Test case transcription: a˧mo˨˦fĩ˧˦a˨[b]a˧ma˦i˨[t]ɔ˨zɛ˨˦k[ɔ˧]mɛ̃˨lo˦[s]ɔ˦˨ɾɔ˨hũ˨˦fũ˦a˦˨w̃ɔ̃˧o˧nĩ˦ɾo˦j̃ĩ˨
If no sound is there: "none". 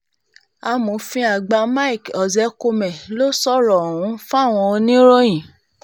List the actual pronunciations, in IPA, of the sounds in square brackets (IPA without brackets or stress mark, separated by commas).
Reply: ɡ͡b, k, o˧, s